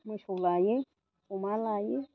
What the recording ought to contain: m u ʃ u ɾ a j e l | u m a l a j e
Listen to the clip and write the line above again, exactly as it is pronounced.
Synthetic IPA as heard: m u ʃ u l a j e | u m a l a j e